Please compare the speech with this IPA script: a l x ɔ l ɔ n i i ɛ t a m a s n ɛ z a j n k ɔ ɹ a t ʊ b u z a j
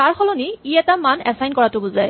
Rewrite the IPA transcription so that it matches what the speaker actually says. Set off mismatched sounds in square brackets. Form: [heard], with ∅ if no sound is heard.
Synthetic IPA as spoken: a [ɹ] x ɔ l ɔ n i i ɛ t a m a [∅] n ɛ [s] a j n k ɔ ɹ a t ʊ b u z a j